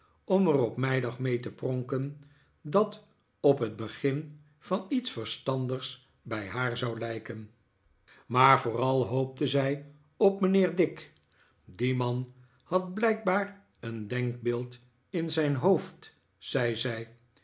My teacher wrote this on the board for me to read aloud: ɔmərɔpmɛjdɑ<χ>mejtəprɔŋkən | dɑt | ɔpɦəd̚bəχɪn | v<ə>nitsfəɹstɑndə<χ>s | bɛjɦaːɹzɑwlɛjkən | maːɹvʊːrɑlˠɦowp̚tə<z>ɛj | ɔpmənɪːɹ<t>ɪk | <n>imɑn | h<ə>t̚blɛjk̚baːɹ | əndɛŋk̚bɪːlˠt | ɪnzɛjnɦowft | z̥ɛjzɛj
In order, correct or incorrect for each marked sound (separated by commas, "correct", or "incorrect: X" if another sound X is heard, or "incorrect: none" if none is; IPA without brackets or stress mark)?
correct, incorrect: ɑ, correct, correct, incorrect: d, incorrect: d, incorrect: ɑ